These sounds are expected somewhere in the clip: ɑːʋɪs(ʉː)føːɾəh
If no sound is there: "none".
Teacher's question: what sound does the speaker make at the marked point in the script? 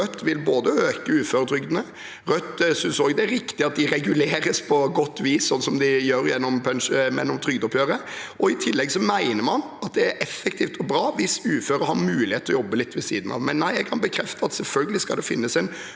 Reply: ʉː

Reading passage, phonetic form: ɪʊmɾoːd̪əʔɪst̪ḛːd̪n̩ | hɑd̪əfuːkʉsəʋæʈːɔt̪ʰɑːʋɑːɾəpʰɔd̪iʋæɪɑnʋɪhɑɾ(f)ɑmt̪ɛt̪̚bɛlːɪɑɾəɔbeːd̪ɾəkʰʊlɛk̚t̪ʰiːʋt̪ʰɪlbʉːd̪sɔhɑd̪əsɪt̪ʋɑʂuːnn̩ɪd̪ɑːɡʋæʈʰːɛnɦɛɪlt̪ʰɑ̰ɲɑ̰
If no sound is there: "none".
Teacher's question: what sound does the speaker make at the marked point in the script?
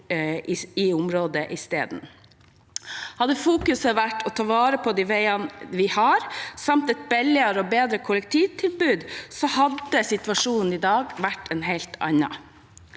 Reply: s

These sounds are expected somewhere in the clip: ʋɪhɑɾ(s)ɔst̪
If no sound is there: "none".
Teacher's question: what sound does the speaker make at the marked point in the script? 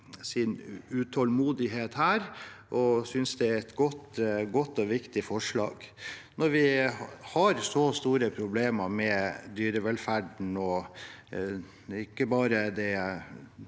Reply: s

